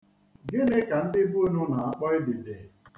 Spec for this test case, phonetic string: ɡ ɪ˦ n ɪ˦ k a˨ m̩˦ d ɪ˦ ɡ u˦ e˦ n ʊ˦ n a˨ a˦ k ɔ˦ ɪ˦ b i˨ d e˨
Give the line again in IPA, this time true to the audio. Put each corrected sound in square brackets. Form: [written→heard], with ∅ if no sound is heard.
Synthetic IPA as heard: ɡ ɪ˦ n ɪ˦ k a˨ [m̩˦→n̩˦] d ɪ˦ [ɡ→b] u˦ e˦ n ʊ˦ n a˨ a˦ [k→k͡p] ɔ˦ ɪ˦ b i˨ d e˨